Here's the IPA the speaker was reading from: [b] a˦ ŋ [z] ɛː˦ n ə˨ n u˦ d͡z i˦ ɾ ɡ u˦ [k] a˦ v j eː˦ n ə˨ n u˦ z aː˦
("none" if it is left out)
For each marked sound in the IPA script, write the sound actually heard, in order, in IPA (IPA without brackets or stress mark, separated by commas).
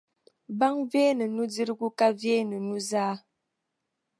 b, v, k